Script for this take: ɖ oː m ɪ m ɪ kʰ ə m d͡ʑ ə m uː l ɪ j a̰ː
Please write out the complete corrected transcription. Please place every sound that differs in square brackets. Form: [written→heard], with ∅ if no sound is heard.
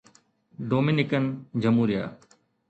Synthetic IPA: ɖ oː m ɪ [m→n] ɪ [kʰ→k] ə [m→n] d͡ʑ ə m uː [l→ɾ] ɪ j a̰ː